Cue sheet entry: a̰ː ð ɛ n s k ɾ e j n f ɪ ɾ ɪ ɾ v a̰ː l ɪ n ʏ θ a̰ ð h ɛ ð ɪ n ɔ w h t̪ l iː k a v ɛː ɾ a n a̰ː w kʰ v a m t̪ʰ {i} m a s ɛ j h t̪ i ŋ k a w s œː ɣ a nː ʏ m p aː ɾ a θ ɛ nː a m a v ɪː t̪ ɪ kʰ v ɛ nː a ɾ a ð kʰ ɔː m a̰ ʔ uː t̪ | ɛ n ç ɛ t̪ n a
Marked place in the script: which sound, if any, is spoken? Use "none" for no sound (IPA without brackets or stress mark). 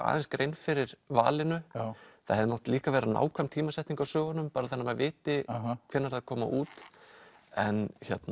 iː